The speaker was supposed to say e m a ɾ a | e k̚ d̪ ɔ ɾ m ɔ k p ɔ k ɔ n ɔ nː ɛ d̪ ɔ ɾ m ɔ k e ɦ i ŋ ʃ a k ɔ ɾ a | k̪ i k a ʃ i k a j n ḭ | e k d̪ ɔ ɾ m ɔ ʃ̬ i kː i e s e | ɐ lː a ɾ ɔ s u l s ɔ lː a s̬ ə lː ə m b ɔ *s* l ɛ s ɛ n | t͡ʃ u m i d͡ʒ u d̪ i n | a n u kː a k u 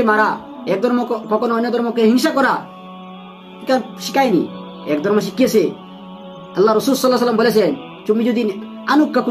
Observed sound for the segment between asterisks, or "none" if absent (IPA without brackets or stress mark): none